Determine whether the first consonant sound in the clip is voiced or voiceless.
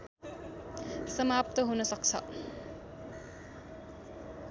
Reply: voiceless